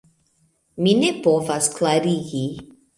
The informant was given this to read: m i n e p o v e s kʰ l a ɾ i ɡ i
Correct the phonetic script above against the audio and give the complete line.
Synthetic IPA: m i n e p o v a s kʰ l a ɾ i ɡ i